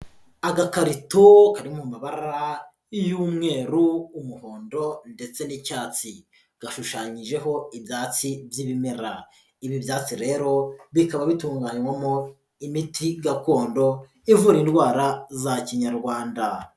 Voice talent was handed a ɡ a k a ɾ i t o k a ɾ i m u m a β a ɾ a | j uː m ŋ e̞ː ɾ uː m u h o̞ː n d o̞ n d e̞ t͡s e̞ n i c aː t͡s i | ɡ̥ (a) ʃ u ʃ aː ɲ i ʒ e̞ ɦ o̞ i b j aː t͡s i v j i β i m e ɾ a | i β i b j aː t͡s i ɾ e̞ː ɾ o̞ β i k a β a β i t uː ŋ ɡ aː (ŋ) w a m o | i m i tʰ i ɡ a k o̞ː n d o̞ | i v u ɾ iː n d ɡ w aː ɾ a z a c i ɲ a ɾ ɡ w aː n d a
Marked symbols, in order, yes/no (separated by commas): yes, no